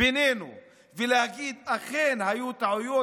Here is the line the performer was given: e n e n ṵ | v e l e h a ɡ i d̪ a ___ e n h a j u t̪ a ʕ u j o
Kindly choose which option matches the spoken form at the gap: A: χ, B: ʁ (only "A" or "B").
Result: A